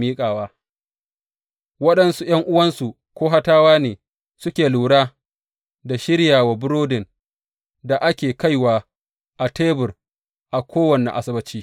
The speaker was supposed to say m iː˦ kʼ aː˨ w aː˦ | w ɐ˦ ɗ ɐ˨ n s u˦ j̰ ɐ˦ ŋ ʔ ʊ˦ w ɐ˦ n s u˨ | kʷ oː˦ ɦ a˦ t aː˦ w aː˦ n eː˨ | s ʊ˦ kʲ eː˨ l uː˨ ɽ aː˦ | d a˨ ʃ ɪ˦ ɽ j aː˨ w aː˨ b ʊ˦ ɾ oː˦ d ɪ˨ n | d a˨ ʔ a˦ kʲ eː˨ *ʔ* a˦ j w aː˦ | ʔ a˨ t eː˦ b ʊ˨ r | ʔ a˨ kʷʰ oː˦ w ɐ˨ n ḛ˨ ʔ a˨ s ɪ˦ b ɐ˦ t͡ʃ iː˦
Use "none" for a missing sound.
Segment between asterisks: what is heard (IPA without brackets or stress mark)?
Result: k